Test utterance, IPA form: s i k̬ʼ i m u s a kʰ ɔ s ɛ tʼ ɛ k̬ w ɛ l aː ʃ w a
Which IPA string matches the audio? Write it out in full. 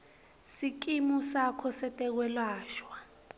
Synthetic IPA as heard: s i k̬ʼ i m u s a kʰ ɔ s ɛ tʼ ɛ k̬ w ɛ l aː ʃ w a

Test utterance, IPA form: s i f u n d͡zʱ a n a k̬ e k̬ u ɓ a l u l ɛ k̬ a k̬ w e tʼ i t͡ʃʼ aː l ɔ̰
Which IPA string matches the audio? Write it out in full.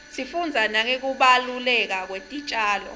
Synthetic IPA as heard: s i f u n d͡zʱ a n a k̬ e k̬ u ɓ a l u l ɛ k̬ a k̬ w e tʼ i t͡ʃʼ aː l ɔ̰

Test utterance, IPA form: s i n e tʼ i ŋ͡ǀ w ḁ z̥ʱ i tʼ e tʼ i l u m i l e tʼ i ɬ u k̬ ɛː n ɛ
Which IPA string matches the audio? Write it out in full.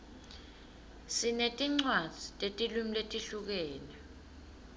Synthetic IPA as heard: s i n e tʼ i ŋ͡ǀ w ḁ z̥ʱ i tʼ e tʼ i l u m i l e tʼ i ɬ u k̬ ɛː n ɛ

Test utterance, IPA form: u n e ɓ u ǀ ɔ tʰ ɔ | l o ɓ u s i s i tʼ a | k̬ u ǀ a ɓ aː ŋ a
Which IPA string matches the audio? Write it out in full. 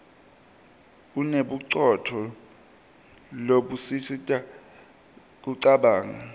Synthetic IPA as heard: u n e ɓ u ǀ ɔ tʰ ɔ | l o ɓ u s i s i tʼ a | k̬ u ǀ a ɓ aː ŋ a

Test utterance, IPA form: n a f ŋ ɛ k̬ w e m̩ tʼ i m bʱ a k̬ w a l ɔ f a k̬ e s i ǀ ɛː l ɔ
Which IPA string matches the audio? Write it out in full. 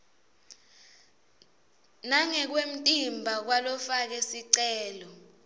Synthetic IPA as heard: n a ŋ ɛ k̬ w e m̩ tʼ i m bʱ a k̬ w a l ɔ f a k̬ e s i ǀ ɛː l ɔ

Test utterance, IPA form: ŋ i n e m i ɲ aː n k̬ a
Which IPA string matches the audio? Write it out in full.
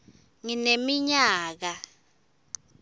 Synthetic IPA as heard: ŋ i n e m i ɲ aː k̬ a

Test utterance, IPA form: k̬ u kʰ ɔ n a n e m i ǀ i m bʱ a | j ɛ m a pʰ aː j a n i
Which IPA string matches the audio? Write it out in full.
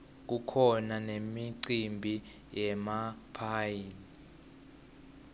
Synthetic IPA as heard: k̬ u kʰ ɔ n a n e m i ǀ i m bʱ i | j ɛ m a pʰ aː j i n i

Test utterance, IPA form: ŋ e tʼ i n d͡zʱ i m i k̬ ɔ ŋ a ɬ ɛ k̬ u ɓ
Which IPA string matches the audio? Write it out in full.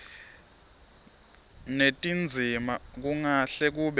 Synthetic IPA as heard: n e tʼ i n d͡zʱ i m a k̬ u ŋ a ɬ ɛ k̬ u ɓ

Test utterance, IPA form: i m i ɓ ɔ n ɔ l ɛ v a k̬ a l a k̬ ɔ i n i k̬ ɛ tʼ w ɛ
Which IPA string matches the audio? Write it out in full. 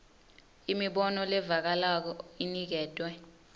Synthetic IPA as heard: i m i ɓ ɔ n ɔ l ɛ v a k̬ a l a k̬ ɔ i n i k̬ ɛː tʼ w ɛ

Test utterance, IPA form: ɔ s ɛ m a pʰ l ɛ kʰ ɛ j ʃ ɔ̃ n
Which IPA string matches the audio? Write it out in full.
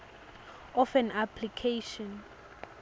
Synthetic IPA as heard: ɔ f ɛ n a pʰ l i kʰ e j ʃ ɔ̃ n

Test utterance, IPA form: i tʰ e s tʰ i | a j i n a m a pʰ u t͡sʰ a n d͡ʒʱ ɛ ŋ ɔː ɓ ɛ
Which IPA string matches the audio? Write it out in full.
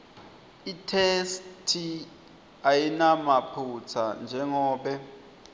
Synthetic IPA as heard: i tʰ e s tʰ i | a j i n a m a pʰ u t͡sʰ a n d͡ʒʱ ɛ ŋ ɔː ɓ ɛ

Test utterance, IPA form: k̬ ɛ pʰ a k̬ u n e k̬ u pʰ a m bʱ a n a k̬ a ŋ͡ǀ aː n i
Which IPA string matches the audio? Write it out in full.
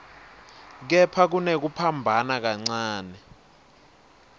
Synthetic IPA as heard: k̬ ɛ pʰ a k̬ u n e k̬ u pʰ a m bʱ a n a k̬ a ŋ͡ǀ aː n ɛ

